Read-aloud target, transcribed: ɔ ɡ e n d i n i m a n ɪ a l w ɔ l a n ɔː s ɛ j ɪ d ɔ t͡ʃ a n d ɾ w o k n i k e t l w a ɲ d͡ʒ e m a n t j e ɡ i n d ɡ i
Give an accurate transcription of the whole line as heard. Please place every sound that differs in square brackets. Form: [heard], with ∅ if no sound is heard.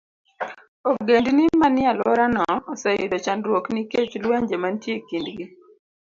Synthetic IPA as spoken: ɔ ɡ e n d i n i m a n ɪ a l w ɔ [ɾ] a n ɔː s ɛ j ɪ d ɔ t͡ʃ a n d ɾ w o k n i k e [t͡ʃ] l w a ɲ d͡ʒ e m a n t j e [k] i n d ɡ i